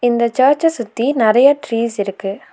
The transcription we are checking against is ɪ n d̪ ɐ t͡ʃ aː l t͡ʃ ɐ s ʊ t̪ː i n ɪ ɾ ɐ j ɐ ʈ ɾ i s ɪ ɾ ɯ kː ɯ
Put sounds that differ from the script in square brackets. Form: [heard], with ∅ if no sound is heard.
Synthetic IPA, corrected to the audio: ɪ n d̪ ɐ t͡ʃ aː [ɾ] t͡ʃ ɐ s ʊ t̪ː i n ɪ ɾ ɐ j ɐ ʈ ɾ [iː] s ɪ ɾ ɯ kː ɯ